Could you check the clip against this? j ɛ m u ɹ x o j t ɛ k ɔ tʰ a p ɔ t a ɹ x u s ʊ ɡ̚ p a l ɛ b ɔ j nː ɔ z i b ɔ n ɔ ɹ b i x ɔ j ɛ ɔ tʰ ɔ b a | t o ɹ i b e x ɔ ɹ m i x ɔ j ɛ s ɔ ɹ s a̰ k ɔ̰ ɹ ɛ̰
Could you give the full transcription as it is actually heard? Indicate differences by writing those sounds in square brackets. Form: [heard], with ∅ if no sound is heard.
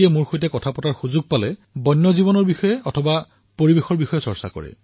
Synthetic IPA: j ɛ m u ɹ x o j t ɛ k ɔ tʰ a p ɔ t a ɹ x u [z] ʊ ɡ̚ p a l ɛ b ɔ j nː ɔ z i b ɔ n ɔ ɹ b i x ɔ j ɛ ɔ tʰ ɔ b a | [p] o ɹ i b e x ɔ ɹ [b] i x ɔ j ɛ s ɔ ɹ s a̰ k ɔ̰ ɹ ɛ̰